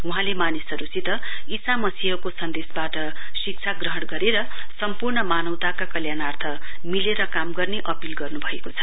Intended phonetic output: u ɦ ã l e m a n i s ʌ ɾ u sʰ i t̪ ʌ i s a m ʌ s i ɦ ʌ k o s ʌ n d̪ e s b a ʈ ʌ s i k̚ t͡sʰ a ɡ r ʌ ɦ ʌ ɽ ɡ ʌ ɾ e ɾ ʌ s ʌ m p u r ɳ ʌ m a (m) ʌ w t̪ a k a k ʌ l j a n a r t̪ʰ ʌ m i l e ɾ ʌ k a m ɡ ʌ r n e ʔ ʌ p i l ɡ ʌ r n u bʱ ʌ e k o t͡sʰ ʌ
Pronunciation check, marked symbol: incorrect: n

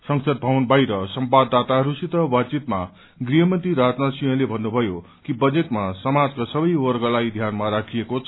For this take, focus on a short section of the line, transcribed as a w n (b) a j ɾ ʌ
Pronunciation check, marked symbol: correct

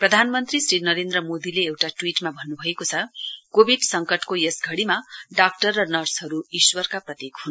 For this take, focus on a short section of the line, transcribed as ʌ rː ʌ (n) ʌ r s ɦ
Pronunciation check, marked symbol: correct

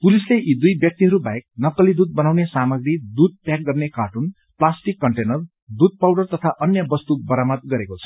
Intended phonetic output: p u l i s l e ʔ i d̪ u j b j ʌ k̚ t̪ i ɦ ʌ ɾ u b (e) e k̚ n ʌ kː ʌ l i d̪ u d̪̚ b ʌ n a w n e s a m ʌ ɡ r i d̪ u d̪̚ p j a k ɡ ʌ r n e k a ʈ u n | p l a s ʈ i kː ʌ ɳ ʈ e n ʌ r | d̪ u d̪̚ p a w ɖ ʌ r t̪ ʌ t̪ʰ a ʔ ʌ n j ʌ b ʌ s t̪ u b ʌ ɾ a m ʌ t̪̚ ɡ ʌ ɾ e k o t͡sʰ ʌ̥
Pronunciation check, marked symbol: incorrect: a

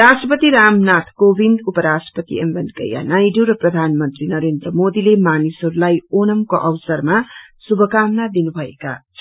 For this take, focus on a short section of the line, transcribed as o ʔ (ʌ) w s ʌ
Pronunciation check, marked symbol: correct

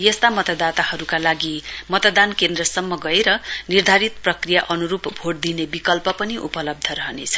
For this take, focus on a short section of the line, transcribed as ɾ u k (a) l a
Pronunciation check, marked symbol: correct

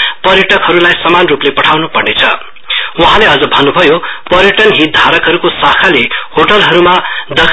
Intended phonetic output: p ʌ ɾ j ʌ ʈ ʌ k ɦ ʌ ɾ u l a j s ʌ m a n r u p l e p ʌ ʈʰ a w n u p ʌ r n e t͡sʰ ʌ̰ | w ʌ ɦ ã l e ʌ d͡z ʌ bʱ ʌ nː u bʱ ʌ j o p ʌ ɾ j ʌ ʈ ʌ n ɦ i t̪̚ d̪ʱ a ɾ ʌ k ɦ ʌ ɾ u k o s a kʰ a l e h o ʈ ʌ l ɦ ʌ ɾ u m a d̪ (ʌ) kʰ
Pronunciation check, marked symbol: correct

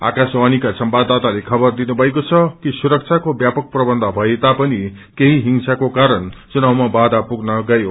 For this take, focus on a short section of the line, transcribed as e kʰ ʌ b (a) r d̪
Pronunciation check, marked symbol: incorrect: ʌ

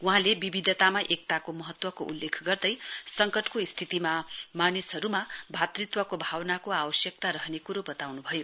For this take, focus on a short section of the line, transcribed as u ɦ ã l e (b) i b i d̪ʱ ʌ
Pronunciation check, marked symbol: correct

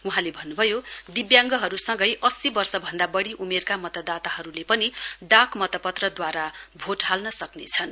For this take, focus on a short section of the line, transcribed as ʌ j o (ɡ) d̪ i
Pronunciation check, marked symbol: incorrect: none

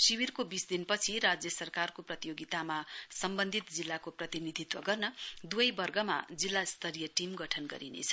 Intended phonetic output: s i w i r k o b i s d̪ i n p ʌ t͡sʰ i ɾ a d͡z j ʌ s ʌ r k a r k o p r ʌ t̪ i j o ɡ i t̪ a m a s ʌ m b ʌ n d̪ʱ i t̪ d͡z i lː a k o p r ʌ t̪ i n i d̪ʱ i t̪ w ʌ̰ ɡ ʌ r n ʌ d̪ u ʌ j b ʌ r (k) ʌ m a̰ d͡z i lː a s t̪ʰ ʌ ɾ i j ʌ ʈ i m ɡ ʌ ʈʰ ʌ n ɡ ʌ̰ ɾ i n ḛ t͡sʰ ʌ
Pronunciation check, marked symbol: incorrect: ɡ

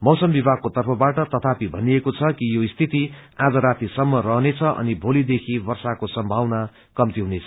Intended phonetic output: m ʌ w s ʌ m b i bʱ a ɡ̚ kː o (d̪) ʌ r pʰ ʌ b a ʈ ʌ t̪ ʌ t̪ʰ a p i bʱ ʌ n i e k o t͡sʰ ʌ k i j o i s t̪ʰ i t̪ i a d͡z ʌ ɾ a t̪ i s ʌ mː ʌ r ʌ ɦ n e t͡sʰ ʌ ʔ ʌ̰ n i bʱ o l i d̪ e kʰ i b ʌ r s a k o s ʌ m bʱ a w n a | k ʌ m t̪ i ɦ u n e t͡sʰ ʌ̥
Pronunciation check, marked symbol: incorrect: t̪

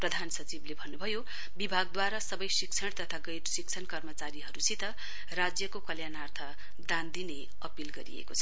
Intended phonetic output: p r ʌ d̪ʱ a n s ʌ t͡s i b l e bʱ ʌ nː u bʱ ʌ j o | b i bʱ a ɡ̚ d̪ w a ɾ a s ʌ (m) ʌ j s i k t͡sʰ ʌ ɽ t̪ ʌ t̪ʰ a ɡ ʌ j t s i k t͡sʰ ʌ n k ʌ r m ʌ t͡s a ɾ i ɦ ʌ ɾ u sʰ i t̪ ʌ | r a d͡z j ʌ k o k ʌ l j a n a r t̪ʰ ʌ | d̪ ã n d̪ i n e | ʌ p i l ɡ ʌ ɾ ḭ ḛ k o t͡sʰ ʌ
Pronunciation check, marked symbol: incorrect: b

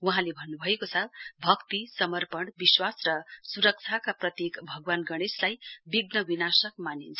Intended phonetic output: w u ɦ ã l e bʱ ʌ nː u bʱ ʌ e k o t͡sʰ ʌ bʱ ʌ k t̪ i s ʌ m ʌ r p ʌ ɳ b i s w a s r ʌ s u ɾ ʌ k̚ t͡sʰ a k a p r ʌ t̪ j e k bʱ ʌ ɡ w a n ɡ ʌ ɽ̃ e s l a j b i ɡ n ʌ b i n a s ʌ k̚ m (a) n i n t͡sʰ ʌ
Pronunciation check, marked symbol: correct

